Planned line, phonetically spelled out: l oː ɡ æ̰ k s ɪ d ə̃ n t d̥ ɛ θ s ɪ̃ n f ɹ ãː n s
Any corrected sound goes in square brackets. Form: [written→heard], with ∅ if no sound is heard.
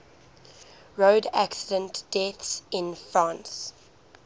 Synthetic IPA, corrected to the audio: [l→ɹ] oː [ɡ→d] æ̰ k s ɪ d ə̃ n t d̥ ɛ θ s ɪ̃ n f ɹ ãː n s